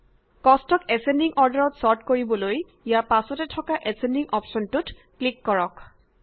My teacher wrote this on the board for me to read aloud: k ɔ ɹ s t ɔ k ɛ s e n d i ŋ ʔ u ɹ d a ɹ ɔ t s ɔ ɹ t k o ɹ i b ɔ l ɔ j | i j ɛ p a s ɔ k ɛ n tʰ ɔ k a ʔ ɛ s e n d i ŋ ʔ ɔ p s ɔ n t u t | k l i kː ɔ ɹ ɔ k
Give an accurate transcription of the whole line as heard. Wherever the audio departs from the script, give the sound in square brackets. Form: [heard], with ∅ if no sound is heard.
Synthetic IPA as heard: k ɔ [∅] s t ɔ k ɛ s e n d i ŋ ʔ [ɔ] ɹ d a ɹ ɔ t s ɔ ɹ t k o ɹ i b ɔ l [o] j | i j [a] p a s ɔ [t] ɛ [∅] tʰ ɔ k a ʔ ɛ s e n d i ŋ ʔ ɔ p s ɔ n t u t | k l i kː ɔ ɹ ɔ k

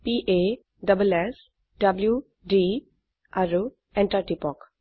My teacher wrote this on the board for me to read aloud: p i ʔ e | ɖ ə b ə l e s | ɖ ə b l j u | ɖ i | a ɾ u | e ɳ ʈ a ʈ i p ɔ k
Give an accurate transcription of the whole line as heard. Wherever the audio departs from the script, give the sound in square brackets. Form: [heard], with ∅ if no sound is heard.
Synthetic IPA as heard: p i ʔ e | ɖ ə b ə l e s | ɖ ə b l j u | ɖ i | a ɾ u | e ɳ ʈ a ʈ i p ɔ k

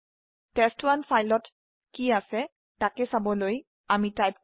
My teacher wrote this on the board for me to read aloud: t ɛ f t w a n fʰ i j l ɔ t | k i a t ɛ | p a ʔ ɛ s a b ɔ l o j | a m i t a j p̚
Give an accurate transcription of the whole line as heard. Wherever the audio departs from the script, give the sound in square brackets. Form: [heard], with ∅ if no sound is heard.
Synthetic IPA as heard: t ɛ [s] t w a n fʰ [a] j l ɔ t | k i a [s] ɛ | [t] a [k] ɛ s a b ɔ l o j | a m i t a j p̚

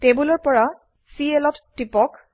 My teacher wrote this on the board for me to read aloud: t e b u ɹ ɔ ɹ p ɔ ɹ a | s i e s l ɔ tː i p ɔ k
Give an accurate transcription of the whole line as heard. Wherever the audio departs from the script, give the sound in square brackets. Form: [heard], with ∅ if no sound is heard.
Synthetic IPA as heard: t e b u [l] ɔ ɹ p ɔ ɹ a | s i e [∅] l ɔ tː i p ɔ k

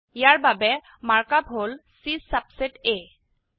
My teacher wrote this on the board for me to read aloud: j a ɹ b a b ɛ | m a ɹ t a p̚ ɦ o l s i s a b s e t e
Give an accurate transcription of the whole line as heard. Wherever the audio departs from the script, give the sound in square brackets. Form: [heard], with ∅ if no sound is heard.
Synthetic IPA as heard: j a ɹ b a b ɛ | m a ɹ [k] a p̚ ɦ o l s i s a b s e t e

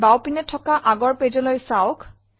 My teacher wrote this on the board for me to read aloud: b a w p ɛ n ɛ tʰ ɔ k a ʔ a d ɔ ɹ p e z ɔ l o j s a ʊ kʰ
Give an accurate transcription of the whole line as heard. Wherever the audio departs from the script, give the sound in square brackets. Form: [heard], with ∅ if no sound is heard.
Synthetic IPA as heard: b a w p [i] n ɛ tʰ ɔ k a ʔ a [ɡ] ɔ ɹ p e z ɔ l o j s a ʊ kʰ

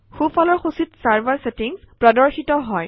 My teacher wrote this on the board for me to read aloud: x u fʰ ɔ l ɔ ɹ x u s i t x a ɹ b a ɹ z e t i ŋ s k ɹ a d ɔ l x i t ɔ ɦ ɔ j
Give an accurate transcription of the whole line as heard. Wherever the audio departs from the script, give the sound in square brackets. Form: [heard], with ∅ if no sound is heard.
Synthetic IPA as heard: x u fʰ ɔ l ɔ ɹ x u s i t [s] a ɹ b a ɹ [s] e t i ŋ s [p] ɹ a d ɔ [ɹ] x i t ɔ ɦ ɔ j

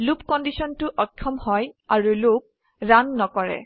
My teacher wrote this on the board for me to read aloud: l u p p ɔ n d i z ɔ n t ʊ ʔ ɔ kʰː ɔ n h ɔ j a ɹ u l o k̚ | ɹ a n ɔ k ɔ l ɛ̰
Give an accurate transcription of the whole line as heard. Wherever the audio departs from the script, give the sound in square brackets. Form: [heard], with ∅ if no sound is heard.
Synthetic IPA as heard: l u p [k] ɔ n d i [s] ɔ n t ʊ ʔ ɔ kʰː ɔ [m] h ɔ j a ɹ u l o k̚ | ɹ a [nː] ɔ k ɔ [ɹ] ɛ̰

